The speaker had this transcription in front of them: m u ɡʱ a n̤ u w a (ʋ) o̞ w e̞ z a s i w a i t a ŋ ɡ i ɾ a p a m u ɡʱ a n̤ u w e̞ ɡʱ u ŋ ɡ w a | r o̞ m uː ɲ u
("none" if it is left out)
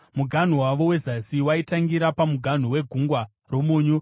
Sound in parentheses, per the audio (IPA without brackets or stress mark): ʋ